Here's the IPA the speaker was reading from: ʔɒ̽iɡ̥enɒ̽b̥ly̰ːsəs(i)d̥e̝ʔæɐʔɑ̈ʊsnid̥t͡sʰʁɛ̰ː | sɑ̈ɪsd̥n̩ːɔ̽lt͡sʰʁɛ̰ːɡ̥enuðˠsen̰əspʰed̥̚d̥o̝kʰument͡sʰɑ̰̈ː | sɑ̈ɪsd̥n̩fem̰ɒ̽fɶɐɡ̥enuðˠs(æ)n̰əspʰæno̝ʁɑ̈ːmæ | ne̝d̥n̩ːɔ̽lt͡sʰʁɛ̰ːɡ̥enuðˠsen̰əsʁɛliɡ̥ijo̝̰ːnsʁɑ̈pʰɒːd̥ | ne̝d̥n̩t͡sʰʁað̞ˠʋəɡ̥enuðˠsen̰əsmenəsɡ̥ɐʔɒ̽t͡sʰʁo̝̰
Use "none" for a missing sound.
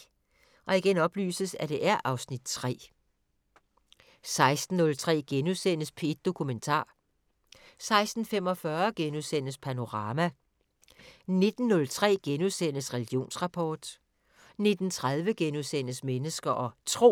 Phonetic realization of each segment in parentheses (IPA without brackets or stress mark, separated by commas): æ, e